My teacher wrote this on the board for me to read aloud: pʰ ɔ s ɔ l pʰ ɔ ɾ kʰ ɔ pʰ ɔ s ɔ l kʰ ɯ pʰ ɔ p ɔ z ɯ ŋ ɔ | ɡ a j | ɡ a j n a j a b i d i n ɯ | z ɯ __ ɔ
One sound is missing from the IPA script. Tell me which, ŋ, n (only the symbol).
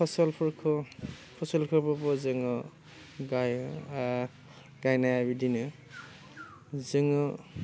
ŋ